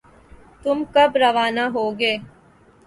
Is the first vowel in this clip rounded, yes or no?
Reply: yes